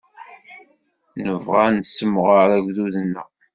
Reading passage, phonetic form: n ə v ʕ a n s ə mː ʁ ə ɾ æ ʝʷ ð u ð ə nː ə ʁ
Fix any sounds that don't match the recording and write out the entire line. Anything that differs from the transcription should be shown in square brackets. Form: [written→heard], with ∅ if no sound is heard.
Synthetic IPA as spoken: n ə v [ʕ→ʁ] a n s ə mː ʁ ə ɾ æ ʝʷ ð u ð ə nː ə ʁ